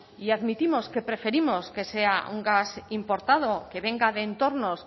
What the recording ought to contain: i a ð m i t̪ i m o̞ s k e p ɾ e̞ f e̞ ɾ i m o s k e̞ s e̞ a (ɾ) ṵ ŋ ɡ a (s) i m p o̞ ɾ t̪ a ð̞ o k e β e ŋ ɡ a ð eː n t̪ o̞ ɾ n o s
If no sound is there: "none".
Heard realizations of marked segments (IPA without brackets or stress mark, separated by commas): none, s